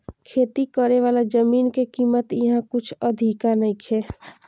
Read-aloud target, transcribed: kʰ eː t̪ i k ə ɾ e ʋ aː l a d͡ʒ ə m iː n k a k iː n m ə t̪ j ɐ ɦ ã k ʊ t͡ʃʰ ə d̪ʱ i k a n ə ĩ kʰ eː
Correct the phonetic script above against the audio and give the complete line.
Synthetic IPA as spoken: kʰ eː t̪ i k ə ɾ e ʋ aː l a d͡ʒ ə m iː n k e k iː m ə t̪ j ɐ ɦ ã k ʊ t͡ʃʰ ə d̪ʱ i k a n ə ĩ kʰ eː